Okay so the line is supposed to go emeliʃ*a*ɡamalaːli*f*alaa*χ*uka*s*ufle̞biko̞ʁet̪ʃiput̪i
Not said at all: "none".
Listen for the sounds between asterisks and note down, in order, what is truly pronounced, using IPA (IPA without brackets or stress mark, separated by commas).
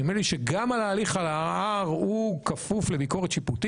e, χ, ʁ, f